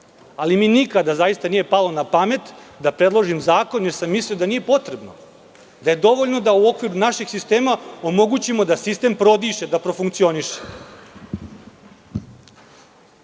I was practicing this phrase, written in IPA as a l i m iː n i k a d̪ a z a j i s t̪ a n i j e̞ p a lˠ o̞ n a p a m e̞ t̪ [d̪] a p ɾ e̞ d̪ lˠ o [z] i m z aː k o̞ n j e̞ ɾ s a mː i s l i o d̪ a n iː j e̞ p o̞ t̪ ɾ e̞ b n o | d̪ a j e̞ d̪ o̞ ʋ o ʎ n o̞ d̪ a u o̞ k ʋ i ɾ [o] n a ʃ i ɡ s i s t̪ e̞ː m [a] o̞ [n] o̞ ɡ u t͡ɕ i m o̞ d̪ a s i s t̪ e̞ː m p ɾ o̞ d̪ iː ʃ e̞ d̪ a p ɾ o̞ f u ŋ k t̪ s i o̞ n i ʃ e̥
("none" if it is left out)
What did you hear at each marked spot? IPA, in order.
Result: d̪, ʒ, u, a, m

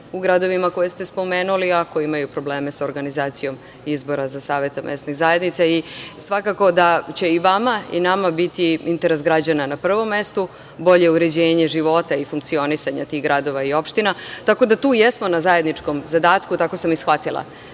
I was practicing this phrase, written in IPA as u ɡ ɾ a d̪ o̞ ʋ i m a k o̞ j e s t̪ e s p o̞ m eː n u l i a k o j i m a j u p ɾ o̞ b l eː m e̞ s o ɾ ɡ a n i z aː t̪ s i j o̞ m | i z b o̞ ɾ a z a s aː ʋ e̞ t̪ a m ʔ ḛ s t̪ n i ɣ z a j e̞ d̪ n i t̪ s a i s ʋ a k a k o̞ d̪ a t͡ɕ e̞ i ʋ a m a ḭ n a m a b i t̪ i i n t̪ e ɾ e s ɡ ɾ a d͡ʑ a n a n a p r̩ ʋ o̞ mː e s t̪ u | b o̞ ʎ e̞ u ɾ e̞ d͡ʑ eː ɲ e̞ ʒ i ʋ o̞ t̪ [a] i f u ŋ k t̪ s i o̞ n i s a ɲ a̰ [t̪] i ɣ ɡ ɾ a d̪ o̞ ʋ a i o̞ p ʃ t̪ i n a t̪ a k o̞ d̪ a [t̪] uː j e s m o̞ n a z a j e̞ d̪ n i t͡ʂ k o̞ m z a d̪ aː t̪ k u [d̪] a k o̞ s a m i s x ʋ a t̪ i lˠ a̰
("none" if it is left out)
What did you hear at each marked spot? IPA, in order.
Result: a, t̪, t̪, t̪

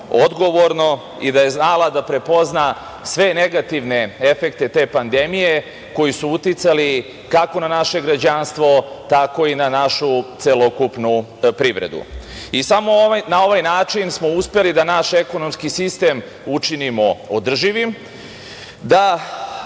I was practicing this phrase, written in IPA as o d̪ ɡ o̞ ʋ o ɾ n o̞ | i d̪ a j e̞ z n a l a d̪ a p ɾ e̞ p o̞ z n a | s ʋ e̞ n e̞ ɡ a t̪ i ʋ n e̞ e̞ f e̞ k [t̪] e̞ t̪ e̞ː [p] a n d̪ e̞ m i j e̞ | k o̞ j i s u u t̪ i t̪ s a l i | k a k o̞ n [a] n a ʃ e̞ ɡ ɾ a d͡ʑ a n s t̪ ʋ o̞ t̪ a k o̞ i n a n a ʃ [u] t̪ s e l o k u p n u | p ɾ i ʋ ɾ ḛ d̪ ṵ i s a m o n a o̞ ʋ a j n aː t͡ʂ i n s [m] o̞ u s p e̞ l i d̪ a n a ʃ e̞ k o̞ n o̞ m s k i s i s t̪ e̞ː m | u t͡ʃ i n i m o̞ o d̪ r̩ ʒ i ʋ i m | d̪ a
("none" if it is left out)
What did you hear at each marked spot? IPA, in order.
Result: t̪, p, a, u, m

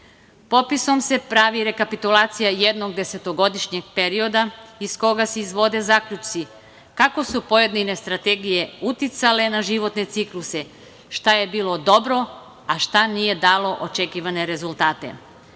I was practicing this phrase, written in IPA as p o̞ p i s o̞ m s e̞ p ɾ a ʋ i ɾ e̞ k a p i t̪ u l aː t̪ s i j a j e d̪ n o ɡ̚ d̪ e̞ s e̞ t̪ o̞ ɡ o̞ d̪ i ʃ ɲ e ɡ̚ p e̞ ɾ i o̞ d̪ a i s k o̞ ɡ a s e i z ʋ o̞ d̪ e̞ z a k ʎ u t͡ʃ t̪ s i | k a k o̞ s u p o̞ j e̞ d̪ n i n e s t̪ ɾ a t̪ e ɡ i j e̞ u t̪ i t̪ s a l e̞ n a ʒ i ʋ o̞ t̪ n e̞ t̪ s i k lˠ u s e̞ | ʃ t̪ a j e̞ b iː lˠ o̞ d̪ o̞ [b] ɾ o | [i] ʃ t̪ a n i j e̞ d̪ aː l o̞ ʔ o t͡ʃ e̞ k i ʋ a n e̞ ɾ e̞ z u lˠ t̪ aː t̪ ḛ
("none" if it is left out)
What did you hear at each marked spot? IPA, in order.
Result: b, a

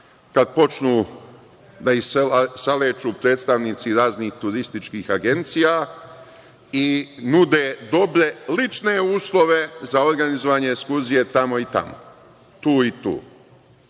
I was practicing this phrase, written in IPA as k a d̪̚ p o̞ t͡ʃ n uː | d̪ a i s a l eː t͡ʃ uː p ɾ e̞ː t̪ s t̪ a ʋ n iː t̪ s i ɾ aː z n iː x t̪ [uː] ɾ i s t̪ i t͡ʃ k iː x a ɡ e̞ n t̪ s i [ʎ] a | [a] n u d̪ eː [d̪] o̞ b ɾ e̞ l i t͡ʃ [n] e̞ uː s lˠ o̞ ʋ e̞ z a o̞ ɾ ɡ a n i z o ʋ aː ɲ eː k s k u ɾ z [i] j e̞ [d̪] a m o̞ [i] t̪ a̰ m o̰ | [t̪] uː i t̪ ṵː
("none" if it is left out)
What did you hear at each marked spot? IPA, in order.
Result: u, j, i, d̪, n, i, t̪, i, t̪

